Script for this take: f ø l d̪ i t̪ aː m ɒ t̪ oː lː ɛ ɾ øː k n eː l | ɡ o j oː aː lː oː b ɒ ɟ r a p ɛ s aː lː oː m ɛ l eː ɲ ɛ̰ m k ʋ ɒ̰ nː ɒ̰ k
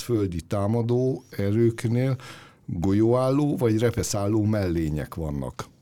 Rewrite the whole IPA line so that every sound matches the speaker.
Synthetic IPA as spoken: f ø l d̪ i t̪ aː m ɒ d̪ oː ɛ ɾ øː k n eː l | ɡ o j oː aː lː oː v ɒ ɟ r ɛ p ɛ s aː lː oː m ɛ lː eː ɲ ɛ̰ k ʋ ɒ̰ nː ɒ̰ k